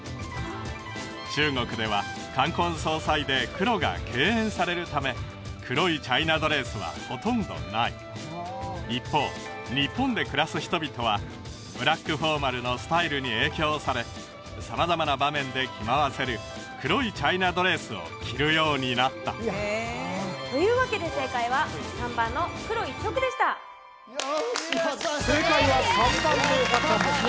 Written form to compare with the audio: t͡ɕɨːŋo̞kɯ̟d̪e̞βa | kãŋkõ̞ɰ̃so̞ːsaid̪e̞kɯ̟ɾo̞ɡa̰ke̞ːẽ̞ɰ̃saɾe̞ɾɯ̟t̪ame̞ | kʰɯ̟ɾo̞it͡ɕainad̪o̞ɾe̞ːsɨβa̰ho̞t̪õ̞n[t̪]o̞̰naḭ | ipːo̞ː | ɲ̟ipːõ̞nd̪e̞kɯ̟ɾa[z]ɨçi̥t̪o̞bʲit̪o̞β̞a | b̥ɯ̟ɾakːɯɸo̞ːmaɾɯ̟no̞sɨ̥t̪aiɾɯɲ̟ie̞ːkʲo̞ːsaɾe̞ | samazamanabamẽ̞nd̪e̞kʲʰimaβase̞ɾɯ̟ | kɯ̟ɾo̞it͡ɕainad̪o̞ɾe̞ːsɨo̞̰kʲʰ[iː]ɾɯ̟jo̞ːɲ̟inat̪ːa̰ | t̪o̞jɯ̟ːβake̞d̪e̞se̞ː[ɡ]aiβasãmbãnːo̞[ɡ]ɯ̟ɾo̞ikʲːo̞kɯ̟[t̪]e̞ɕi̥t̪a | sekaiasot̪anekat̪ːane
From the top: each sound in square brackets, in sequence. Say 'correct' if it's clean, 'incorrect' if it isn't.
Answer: incorrect, incorrect, incorrect, incorrect, incorrect, incorrect

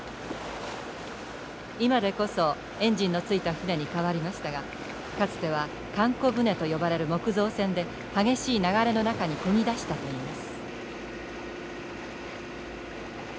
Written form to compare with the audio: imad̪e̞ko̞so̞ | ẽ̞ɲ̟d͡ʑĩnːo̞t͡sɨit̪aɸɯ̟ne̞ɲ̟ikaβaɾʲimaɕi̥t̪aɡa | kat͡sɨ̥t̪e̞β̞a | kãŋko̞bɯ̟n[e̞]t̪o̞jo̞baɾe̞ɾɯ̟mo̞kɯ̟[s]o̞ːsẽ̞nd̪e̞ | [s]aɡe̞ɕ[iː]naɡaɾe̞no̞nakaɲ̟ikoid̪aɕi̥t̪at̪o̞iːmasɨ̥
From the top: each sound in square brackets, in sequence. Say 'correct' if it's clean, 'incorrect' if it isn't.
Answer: correct, incorrect, incorrect, correct

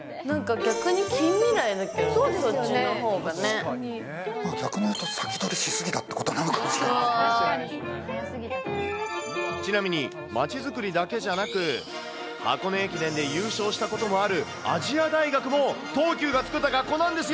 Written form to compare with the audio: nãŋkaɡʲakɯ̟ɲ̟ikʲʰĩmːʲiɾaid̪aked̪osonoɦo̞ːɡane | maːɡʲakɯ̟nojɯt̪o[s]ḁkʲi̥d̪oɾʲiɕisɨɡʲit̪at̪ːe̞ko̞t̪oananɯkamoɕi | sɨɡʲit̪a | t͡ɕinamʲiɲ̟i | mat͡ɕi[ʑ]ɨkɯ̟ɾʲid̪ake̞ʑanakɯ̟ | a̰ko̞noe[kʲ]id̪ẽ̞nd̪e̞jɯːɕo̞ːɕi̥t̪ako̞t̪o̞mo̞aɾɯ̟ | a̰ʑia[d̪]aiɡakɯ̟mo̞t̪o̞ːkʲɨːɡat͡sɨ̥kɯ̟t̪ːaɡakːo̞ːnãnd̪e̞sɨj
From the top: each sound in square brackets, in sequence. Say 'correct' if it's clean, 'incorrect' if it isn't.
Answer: correct, incorrect, correct, correct

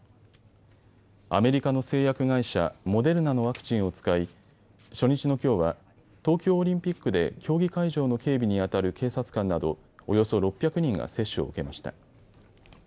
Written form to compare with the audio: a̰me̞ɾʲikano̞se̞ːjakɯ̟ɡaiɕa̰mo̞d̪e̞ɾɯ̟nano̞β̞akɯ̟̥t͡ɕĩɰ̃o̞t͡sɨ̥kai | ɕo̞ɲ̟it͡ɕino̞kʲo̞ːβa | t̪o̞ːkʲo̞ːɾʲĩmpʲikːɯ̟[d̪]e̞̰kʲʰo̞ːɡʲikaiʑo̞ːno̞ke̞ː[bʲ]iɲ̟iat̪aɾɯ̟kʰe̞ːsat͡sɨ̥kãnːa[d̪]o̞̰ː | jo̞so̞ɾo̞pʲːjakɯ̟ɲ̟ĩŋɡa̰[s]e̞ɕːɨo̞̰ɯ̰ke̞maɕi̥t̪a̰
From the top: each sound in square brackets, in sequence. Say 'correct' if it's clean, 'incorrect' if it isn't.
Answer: correct, correct, correct, correct

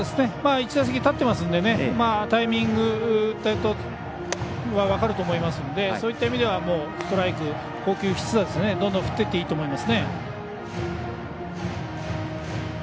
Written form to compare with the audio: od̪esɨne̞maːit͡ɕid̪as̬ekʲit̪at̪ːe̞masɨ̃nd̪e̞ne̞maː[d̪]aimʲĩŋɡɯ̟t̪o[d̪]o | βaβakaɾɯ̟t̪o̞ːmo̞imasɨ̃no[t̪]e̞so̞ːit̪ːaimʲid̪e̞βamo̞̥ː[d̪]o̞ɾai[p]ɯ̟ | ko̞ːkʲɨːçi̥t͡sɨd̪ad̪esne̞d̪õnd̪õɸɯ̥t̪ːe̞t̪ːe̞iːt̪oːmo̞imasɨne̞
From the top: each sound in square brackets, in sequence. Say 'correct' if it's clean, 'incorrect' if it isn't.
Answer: incorrect, incorrect, incorrect, incorrect, incorrect

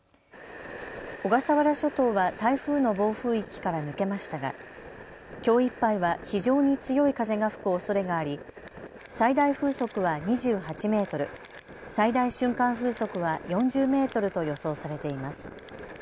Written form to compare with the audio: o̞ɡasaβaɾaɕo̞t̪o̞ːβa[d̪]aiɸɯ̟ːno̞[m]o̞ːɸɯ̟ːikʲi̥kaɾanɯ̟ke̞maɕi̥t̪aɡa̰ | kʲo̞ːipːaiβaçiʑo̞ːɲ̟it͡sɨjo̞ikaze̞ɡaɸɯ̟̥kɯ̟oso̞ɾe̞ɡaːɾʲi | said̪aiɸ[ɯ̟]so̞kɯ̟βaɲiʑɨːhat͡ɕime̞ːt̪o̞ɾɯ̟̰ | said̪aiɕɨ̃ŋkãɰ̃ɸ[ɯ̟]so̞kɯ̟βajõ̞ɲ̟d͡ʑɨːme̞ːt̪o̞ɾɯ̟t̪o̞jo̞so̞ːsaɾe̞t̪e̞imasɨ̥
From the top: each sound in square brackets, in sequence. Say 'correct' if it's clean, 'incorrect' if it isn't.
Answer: incorrect, incorrect, incorrect, incorrect

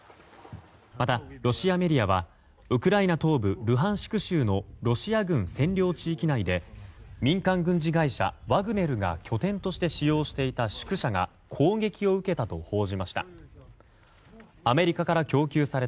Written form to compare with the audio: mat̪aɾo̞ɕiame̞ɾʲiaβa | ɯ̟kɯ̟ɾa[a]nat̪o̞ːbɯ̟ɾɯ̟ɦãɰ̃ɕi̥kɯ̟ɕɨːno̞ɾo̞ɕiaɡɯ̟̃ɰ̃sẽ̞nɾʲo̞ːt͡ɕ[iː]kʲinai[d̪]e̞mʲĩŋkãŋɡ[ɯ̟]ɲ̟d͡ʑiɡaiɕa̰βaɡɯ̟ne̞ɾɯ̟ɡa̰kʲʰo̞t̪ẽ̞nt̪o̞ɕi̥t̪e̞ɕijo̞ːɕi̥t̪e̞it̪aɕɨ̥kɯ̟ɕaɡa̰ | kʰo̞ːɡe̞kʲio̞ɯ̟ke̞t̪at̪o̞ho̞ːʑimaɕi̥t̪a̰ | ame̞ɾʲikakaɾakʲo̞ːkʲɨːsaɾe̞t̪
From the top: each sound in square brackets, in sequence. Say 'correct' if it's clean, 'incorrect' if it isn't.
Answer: incorrect, correct, correct, incorrect

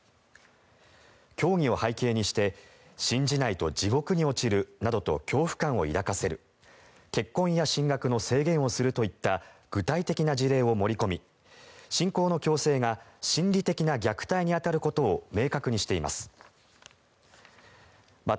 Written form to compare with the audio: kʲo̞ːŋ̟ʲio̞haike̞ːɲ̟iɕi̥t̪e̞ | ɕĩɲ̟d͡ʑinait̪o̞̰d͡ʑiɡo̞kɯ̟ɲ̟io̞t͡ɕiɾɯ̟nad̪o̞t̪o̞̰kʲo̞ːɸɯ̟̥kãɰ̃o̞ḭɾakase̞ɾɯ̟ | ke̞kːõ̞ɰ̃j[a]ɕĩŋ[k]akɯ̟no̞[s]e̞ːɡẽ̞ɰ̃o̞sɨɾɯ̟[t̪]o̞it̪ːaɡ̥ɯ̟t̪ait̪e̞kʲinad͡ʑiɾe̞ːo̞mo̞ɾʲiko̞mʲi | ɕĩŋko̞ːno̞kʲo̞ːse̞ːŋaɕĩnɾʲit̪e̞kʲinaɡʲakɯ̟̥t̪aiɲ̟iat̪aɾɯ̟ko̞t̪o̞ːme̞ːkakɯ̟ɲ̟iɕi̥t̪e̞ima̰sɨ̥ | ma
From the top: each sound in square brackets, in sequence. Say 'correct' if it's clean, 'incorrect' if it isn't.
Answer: correct, incorrect, correct, correct

